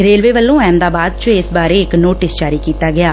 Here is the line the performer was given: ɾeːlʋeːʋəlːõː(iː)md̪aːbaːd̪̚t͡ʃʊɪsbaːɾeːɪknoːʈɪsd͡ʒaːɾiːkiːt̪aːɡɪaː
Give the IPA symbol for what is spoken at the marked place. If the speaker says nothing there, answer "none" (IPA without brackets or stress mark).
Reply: ɛː